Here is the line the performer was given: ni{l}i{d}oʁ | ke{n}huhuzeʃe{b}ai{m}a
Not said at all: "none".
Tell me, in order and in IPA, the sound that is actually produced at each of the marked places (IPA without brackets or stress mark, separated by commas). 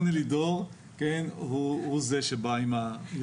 l, d, n, b, m